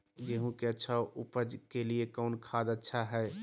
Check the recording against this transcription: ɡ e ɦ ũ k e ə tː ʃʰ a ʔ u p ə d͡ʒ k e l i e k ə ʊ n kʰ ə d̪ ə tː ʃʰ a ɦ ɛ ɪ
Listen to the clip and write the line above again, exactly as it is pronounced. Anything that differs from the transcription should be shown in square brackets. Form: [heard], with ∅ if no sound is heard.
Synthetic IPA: ɡ e ɦ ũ k e ə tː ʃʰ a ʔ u p ə d͡ʒ k e l i e k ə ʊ n kʰ [a] d̪ ə tː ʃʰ a ɦ ɛ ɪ